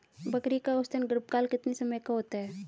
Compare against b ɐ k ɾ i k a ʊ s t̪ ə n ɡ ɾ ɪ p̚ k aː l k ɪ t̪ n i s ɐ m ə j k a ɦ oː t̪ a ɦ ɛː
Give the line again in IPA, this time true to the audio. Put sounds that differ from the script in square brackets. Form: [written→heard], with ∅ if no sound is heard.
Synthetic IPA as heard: b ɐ k ɾ i k a ʊ s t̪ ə n ɡ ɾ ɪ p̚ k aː l k ɪ t̪ n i s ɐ m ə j k a ɦ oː t̪ a ɦ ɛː